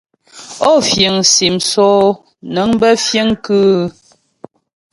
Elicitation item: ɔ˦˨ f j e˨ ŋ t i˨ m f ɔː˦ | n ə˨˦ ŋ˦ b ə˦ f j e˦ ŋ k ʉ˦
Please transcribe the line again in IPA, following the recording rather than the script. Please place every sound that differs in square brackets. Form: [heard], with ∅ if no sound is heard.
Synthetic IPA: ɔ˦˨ f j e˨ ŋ [s] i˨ m [s] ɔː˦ | n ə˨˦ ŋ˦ b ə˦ f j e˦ ŋ k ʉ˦